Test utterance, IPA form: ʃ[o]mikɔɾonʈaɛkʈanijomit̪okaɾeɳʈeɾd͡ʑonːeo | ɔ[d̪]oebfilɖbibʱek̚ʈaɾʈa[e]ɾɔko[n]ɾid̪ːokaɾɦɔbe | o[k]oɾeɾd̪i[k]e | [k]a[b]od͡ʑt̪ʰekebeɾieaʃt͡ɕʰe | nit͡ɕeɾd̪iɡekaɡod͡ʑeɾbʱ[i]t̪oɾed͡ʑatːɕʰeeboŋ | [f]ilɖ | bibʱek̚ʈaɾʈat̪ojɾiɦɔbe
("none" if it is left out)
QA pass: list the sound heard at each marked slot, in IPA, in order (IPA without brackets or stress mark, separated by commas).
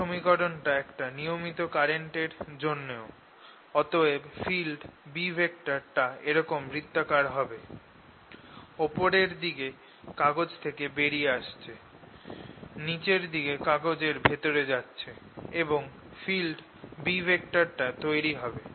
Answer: o, t̪, e, m, p, ɡ, k, ɡ, e, f